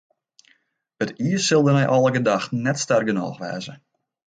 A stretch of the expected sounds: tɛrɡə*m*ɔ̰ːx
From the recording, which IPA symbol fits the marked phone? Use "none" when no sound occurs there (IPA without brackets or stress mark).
n